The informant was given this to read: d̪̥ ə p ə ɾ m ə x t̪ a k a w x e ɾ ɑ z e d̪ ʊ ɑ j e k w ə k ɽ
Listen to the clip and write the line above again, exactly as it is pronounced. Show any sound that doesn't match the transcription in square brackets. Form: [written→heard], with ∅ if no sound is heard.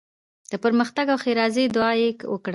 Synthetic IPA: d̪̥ ə p ə ɾ m ə x t̪ a [k→ɡ] a w x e ɾ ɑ z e d̪ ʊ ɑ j e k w ə k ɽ